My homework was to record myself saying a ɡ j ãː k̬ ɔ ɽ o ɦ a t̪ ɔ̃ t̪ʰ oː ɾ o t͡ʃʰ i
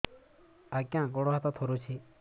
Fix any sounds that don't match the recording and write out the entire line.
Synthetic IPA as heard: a k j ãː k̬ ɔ ɽ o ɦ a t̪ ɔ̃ t̪ʰ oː ɾ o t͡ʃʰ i